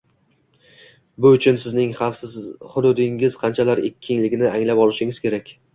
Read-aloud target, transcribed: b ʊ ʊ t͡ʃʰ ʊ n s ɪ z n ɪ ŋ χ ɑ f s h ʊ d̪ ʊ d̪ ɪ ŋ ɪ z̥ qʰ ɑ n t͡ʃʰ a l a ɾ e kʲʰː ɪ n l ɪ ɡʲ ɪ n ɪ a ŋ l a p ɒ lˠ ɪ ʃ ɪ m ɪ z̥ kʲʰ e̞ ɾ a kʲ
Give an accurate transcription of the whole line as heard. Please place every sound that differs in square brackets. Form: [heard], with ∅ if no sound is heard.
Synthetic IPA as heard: b ʊ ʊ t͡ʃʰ ʊ n s ɪ z n ɪ ŋ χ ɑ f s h ʊ d̪ ʊ d̪ ɪ ŋ ɪ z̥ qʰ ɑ n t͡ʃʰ a l a ɾ e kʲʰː ɪ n l ɪ ɡʲ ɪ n ɪ a ŋ l a p ɒ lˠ ɪ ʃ ɪ [ŋ] ɪ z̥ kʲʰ e̞ ɾ a kʲ